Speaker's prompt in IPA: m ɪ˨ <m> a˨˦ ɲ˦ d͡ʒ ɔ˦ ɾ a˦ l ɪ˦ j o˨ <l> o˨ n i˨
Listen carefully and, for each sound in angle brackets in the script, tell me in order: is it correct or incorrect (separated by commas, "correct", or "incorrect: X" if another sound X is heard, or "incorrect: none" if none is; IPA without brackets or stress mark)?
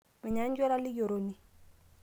incorrect: ɲ, incorrect: ɾ